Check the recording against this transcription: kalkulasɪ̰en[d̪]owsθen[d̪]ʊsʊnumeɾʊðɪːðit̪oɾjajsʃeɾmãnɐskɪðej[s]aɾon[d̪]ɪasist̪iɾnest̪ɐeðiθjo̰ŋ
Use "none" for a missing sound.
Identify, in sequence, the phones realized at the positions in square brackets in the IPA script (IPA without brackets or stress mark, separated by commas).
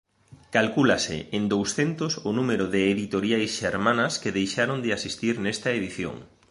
d̪, t̪, ʃ, d̪